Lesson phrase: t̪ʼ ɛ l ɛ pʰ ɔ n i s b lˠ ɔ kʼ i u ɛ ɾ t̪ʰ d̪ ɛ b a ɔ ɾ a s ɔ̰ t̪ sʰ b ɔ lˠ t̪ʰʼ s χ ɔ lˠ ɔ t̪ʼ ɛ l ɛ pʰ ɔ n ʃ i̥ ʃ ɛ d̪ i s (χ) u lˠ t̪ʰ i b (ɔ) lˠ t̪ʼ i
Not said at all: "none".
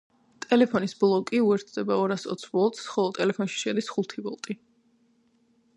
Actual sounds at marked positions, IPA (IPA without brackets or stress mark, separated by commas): χ, ɔ